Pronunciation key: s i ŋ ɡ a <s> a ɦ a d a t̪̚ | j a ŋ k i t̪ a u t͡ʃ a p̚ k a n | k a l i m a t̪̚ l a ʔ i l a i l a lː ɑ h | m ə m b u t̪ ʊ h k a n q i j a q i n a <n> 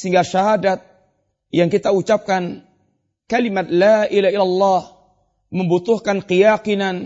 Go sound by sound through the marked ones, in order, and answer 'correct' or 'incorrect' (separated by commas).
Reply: incorrect, correct